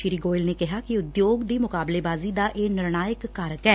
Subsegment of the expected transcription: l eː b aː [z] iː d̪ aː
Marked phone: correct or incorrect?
correct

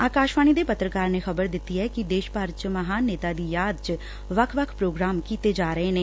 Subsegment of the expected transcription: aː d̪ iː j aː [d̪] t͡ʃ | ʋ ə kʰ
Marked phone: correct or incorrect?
correct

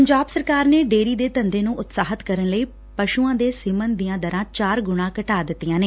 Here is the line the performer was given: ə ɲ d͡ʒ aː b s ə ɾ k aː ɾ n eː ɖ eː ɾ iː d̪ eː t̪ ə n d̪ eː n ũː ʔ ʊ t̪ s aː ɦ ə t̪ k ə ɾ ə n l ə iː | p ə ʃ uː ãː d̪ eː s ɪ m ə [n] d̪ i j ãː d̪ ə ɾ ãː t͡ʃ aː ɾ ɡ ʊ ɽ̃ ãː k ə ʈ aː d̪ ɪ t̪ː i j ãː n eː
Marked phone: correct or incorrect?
correct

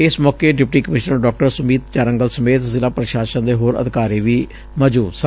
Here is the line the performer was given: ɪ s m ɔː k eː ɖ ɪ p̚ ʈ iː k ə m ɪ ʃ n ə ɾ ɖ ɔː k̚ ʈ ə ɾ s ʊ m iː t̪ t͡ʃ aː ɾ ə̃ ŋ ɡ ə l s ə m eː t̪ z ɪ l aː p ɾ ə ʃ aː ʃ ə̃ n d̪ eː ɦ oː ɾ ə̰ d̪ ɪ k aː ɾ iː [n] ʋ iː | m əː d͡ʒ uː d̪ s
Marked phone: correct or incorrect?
incorrect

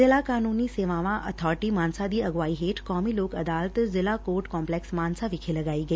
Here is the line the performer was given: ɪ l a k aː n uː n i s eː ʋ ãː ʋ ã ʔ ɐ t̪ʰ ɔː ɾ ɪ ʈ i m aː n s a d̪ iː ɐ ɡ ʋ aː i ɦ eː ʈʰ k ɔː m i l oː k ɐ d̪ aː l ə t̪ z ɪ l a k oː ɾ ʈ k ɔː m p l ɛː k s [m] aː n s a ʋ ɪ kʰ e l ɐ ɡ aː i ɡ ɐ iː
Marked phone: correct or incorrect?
correct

